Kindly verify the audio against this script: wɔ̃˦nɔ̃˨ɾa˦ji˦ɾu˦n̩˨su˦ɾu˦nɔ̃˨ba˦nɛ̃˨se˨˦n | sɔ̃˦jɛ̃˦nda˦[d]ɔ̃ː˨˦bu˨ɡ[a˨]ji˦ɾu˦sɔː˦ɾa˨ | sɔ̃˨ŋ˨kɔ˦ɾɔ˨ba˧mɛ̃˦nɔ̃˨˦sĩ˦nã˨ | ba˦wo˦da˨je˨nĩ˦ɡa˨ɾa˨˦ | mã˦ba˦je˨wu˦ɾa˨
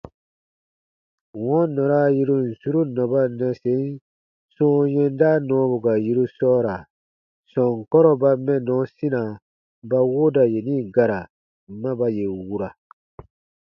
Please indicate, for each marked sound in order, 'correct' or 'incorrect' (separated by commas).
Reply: incorrect, correct